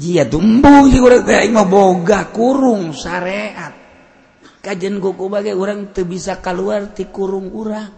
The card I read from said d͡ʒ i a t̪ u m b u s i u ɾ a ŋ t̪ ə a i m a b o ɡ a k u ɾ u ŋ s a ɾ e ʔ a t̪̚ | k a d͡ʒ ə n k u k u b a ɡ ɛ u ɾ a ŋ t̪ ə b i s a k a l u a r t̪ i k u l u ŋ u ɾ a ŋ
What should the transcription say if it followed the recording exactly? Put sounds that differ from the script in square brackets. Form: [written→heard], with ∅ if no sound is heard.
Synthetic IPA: d͡ʒ i a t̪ u m b u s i u ɾ a ŋ t̪ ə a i m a b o ɡ a k u ɾ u ŋ s a ɾ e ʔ a t̪̚ | k a d͡ʒ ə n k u k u b a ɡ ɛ u ɾ a ŋ t̪ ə b i s a k a l u a r t̪ i k u [l→ɾ] u ŋ u ɾ a ŋ